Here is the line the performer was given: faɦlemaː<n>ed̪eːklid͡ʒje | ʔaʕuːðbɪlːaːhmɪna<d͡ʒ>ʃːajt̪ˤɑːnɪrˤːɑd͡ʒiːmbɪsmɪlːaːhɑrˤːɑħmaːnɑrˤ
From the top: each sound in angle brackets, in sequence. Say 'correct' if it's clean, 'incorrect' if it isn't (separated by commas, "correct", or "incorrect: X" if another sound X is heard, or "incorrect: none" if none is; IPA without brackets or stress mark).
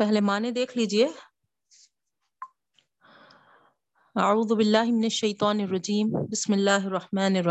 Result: correct, incorrect: none